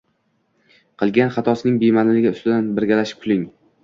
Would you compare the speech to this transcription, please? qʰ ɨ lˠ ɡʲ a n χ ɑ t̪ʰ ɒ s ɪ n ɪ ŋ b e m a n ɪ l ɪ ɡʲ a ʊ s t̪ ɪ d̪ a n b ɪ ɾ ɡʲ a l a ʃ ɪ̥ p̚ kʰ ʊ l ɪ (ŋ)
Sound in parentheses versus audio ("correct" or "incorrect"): correct